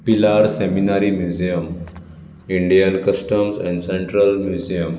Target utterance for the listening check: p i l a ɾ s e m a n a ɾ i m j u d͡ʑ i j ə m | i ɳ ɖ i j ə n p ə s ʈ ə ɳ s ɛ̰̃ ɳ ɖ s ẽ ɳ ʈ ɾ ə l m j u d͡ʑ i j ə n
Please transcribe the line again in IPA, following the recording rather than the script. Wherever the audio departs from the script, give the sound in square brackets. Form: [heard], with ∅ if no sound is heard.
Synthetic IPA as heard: p i l a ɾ s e m [i] n a ɾ i m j u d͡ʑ i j ə m | i ɳ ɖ i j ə n [k] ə s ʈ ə [m] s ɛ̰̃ ɳ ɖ s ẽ ɳ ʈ ɾ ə l m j u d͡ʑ i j ə [m]